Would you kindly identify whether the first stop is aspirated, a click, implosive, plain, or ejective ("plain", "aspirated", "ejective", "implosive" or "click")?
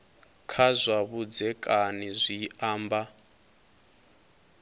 aspirated